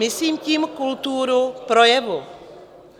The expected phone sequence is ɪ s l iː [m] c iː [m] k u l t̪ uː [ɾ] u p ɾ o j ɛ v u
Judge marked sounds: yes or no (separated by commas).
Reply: yes, yes, yes